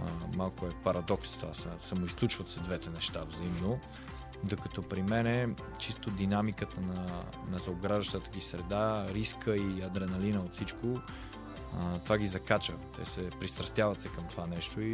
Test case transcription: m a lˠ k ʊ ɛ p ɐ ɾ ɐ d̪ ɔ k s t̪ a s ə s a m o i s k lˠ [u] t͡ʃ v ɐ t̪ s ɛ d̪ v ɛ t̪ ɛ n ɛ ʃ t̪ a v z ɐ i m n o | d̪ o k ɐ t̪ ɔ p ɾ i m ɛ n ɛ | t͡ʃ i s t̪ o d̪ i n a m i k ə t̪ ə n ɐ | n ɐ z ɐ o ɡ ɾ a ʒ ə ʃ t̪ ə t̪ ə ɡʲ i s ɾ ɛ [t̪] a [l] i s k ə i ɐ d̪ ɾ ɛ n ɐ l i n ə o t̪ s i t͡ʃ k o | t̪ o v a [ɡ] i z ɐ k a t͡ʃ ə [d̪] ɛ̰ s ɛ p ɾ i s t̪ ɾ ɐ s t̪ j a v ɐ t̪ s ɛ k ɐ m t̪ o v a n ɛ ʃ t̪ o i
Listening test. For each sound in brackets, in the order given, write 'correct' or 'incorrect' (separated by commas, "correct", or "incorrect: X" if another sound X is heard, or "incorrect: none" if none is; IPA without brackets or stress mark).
correct, incorrect: d̪, incorrect: ɾ, correct, incorrect: t̪